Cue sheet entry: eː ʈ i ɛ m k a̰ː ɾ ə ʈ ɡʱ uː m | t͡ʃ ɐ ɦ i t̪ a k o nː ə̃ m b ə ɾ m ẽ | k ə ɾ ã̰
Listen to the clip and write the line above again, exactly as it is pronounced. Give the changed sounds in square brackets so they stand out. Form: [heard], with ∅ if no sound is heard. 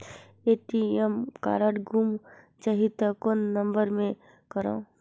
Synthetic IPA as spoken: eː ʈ i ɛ m k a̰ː ɾ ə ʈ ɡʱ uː m | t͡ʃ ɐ ɦ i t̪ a k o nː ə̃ m b ə ɾ m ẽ | k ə ɾ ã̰